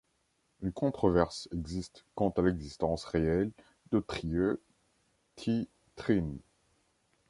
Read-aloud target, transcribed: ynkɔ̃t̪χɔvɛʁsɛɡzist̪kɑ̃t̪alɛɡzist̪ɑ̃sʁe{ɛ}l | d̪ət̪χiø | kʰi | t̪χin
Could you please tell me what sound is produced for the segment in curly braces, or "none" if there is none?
ɛ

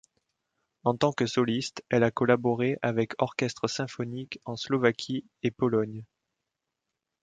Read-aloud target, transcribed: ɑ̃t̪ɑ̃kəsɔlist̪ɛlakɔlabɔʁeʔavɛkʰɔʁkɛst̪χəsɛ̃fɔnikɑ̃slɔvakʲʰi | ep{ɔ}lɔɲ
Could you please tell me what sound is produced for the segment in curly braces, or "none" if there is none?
ɔ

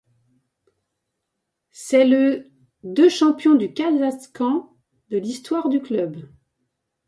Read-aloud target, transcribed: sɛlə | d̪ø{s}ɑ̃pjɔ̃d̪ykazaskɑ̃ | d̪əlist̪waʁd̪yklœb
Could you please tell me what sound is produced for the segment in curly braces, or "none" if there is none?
ʃ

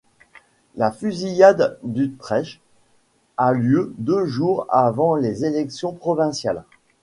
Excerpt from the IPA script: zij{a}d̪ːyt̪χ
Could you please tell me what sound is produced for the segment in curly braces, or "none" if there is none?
a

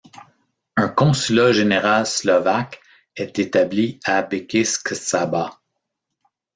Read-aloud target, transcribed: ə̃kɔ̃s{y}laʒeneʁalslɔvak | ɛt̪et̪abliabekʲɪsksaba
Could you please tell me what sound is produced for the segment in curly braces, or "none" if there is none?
y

